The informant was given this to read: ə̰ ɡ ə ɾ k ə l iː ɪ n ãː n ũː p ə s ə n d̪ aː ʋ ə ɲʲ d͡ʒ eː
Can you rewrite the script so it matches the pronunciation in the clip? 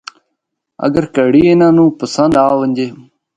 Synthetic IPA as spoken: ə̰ ɡ ə ɾ k ə ɽ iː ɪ n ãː n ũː p ə s ə n d̪ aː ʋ ə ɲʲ d͡ʒ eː